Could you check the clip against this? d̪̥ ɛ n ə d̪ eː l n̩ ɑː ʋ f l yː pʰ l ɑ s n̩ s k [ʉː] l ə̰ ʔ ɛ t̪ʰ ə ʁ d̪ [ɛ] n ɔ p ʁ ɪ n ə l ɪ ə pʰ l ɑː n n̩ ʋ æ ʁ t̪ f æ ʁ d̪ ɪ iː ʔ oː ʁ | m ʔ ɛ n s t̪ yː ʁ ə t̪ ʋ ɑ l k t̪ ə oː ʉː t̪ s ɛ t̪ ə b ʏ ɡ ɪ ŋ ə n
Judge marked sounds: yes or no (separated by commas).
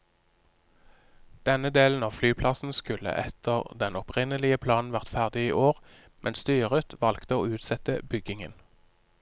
no, yes